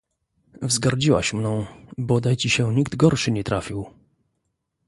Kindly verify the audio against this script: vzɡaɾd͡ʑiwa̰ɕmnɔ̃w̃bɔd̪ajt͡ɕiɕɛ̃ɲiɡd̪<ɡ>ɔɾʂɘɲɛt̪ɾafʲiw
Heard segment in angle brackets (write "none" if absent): ɡ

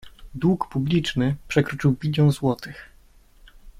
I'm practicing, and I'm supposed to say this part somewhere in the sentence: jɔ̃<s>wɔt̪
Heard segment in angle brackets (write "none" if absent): z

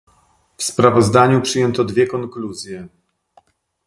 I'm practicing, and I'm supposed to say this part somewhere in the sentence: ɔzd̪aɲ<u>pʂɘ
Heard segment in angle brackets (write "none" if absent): u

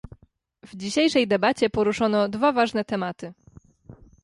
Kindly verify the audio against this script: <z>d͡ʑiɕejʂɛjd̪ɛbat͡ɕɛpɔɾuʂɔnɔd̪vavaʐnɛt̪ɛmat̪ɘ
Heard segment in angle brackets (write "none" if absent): v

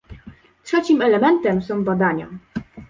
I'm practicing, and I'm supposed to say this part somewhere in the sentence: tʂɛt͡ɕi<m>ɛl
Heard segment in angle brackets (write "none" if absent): m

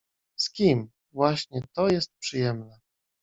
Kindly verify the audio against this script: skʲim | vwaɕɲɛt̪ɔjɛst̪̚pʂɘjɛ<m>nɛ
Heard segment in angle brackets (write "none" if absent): m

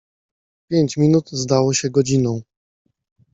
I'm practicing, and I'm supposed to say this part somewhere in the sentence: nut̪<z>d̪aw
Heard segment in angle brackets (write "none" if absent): z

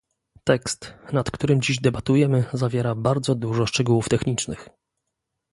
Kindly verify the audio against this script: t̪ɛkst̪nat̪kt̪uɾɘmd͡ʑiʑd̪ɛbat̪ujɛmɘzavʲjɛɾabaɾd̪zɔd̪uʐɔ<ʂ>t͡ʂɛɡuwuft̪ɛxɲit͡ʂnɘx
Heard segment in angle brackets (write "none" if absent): ʂ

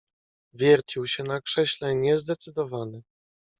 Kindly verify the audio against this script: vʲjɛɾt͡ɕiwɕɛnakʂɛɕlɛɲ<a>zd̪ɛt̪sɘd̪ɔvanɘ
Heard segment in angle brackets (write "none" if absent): ɛ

